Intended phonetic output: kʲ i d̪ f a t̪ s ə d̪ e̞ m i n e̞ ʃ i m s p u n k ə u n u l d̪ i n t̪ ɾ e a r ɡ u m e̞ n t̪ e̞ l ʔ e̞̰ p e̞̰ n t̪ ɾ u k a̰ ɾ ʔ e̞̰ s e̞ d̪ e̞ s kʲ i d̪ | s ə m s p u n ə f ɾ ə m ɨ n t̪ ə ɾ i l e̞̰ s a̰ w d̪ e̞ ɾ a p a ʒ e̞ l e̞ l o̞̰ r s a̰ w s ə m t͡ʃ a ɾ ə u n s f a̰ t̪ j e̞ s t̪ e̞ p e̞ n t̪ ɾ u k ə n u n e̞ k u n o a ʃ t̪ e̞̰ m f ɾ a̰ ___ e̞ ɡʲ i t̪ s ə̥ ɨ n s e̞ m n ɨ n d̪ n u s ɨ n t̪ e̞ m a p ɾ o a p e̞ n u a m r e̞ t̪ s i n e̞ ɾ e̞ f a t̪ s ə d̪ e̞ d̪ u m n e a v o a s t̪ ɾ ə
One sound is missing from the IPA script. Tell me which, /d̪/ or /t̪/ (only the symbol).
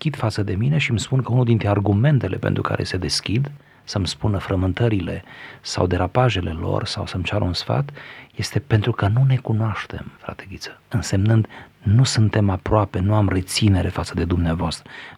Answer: t̪